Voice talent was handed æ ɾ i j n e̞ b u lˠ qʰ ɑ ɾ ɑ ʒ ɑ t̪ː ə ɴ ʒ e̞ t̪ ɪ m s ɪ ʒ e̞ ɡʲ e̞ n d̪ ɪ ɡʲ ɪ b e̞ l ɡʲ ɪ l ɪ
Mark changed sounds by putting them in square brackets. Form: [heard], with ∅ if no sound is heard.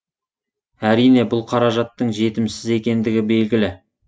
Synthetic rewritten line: æ ɾ i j n e̞ b [ʊ] lˠ qʰ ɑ ɾ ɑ ʒ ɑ t̪ː ə ɴ ʒ e̞ t̪ ɪ m s ɪ [z] e̞ [kʲ] e̞ n d̪ ɪ ɡʲ ɪ b e̞ l ɡʲ ɪ l ɪ